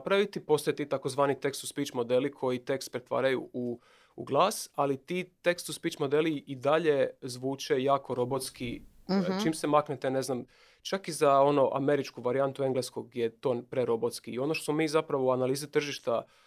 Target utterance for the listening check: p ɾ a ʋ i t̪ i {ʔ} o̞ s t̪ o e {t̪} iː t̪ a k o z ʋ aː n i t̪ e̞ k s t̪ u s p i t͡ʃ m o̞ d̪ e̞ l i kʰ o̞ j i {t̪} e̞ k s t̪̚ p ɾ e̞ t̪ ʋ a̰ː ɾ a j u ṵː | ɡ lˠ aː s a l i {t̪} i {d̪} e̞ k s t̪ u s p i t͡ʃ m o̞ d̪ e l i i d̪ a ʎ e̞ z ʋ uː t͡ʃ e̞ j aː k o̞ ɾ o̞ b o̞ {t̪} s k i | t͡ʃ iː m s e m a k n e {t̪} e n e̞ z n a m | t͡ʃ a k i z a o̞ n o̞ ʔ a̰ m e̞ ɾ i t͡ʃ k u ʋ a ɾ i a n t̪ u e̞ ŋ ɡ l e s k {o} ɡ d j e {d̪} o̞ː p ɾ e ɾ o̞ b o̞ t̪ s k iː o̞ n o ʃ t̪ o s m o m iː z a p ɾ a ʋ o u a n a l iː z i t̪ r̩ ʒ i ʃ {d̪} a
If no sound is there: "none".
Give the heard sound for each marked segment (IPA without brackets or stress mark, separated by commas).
p, t̪, t̪, t̪, t̪, t̪, t̪, o, t̪, t̪